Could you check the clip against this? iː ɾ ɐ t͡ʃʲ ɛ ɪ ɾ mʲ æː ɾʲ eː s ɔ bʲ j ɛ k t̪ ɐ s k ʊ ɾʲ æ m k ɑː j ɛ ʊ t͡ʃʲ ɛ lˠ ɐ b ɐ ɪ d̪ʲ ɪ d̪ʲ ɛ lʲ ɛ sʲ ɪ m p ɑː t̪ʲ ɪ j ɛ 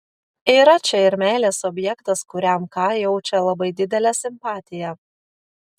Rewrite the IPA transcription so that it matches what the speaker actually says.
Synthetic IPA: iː ɾ ɐ t͡ʃʲ ɛ ɪ ɾ mʲ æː lʲ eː s ɔ bʲ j ɛ k t̪ ɐ s k ʊ ɾʲ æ m k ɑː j ɛ ʊ t͡ʃʲ ɛ lˠ ɐ b ɐ ɪ d̪ʲ ɪ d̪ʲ ɛ lʲ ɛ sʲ ɪ m p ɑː t̪ʲ ɪ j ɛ